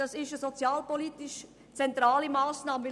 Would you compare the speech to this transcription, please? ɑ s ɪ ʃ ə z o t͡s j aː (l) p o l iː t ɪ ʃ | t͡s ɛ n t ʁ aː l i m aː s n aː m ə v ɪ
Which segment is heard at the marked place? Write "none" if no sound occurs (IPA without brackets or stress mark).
l